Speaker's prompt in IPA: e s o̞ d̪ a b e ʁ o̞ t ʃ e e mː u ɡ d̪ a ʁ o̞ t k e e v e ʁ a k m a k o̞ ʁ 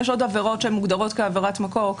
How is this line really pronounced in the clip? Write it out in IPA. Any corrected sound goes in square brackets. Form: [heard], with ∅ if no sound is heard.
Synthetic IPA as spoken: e [ʃ] o̞ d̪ a [v] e ʁ o̞ t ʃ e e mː u ɡ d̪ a ʁ o̞ t k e [a] v e ʁ a [t] m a k o̞ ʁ